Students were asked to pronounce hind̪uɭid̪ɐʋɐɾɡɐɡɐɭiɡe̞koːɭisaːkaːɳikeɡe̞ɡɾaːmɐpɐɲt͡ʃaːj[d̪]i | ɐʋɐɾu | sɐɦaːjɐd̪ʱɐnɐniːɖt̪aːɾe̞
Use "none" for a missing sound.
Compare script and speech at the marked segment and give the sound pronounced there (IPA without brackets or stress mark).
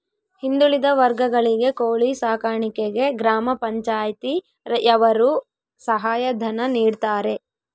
t̪